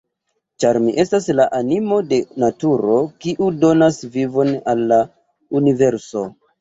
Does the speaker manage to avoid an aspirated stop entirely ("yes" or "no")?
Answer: yes